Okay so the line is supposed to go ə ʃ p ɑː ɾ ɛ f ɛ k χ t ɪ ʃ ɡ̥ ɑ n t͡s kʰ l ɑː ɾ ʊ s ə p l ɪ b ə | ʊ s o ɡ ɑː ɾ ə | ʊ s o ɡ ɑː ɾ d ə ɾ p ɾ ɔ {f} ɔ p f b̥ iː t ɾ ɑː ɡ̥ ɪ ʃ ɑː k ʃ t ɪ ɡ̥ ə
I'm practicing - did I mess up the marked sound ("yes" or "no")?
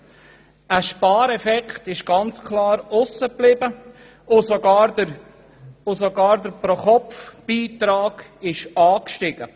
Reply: yes